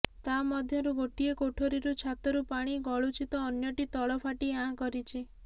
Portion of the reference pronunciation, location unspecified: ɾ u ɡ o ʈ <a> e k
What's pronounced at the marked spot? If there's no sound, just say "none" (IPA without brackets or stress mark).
i